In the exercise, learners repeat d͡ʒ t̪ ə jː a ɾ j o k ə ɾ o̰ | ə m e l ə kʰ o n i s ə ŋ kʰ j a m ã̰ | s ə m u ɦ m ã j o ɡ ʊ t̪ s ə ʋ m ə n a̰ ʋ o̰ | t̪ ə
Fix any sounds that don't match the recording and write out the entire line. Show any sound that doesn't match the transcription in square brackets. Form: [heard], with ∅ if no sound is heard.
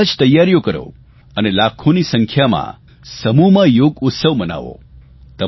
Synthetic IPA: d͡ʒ t̪ ə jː a ɾ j o k ə ɾ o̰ | ə [n] e l [a] kʰ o n i s ə ŋ kʰ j a m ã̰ | s ə m u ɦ m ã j o ɡ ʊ t̪ s ə ʋ m ə n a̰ ʋ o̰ | t̪ ə

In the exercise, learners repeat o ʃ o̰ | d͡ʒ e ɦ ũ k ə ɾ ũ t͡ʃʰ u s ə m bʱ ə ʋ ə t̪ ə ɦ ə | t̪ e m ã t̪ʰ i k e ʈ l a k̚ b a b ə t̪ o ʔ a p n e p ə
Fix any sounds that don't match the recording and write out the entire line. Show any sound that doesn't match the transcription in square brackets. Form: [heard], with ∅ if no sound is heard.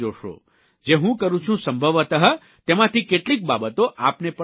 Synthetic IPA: o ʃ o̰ | d͡ʒ e ɦ ũ k ə ɾ ũ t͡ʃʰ [ũ] s ə m bʱ ə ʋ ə t̪ ə ɦ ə | t̪ e m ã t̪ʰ i k e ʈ l [i] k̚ b a b ə t̪ o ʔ a p n e p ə

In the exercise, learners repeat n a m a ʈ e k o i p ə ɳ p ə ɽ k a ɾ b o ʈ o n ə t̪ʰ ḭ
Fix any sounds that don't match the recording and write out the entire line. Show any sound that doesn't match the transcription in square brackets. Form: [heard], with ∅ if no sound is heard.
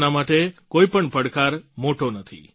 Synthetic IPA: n a m a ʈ e k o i p ə ɳ p ə ɽ k a ɾ [m] o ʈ o n ə t̪ʰ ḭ

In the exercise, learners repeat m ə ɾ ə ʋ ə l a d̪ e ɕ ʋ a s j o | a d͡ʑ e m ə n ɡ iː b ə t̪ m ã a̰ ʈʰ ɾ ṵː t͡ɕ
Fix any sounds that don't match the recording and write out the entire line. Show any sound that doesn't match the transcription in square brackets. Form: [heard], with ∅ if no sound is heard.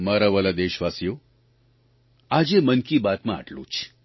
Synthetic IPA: m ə ɾ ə ʋ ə l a d̪ e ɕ ʋ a s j o | a d͡ʑ e m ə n [k] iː b [a] t̪ m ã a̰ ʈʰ [l] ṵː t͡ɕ

